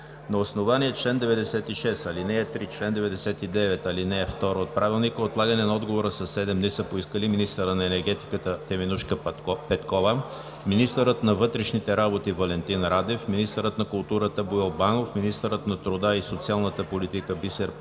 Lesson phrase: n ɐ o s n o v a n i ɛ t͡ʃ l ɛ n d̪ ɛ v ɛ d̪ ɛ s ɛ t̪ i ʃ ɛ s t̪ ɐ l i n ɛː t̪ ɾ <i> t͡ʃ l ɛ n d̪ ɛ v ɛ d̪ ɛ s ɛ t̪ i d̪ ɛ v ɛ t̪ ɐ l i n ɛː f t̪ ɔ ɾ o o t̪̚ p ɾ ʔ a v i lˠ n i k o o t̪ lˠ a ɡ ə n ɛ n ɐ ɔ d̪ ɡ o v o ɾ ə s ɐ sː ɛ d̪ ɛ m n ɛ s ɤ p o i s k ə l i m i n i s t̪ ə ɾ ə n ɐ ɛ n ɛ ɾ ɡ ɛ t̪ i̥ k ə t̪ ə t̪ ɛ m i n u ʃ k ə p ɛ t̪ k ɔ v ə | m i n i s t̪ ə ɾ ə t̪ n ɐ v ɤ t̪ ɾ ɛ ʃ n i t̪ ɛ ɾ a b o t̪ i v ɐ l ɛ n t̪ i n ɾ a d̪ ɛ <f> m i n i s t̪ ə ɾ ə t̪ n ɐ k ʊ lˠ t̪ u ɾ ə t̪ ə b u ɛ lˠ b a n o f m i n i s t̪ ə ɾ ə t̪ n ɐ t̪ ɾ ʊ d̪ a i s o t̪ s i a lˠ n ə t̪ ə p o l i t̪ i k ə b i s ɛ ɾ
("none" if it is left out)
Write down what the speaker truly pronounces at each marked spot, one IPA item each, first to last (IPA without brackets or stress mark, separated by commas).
i, f